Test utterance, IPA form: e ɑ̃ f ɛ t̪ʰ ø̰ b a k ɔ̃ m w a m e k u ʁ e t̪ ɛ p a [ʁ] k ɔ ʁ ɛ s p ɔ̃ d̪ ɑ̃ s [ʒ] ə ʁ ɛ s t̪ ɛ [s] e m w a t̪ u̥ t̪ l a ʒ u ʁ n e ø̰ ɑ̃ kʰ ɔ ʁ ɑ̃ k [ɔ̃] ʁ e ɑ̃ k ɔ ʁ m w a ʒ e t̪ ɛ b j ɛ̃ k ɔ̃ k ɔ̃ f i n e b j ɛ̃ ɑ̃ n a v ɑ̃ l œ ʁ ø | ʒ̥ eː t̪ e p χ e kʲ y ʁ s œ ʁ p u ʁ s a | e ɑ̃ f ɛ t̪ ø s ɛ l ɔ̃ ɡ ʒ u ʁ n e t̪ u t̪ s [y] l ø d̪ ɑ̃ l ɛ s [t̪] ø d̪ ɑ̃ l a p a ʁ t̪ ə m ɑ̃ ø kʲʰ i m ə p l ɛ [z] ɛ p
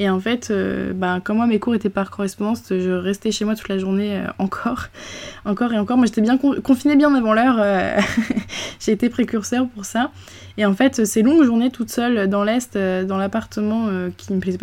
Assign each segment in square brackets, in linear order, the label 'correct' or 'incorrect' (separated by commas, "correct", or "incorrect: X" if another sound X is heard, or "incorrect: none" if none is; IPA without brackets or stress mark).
correct, correct, incorrect: ʃ, incorrect: ɔ, incorrect: œ, correct, correct